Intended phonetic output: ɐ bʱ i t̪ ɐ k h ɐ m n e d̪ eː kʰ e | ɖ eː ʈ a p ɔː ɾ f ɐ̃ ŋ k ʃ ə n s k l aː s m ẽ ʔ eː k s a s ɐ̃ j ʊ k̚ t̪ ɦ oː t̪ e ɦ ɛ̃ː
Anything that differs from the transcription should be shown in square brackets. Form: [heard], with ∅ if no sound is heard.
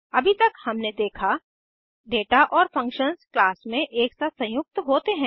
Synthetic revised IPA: ɐ bʱ i t̪ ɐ k h ɐ m n e d̪ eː kʰ [a] | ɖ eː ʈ a [ʔ] ɔː ɾ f ɐ̃ ŋ k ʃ ə n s k l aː s m ẽ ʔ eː k s a s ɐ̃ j ʊ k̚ t̪ ɦ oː t̪ e ɦ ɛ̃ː